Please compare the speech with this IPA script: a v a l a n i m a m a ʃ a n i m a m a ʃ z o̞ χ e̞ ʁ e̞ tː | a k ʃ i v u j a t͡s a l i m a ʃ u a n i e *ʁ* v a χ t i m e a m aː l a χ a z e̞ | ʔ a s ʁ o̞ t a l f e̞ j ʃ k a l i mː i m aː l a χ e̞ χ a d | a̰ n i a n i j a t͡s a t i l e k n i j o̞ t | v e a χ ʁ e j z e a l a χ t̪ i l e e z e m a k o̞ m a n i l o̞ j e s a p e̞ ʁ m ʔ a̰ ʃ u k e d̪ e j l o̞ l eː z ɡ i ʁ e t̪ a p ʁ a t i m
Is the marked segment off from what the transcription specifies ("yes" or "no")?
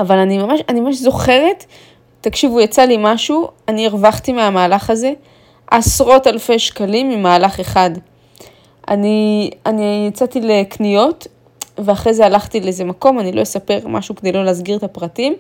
no